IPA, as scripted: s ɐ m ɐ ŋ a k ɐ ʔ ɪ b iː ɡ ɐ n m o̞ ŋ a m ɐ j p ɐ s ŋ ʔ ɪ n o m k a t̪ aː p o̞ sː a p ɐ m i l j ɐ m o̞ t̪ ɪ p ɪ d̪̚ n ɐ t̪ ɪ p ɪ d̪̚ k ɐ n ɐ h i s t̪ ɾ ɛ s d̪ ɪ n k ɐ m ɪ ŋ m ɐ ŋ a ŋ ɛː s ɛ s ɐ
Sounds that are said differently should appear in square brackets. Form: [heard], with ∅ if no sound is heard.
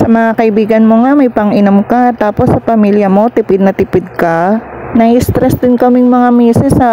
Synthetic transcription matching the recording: s ɐ m ɐ ŋ a k ɐ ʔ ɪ b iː ɡ ɐ n m o̞ ŋ a m ɐ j p ɐ [∅] ŋ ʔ ɪ n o m k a t̪ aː p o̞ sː [ɐ] p ɐ m i l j ɐ m o̞ t̪ ɪ p ɪ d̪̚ n ɐ t̪ ɪ p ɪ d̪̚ k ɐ n ɐ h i s t̪ ɾ ɛ s d̪ ɪ n k ɐ m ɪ ŋ m ɐ ŋ a [m] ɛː s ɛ s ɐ